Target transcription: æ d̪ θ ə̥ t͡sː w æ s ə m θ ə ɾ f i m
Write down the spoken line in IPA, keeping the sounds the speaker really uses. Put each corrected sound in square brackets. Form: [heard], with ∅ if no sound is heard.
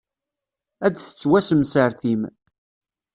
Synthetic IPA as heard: æ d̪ θ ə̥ t͡sː w æ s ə m [s] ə ɾ [θ] i m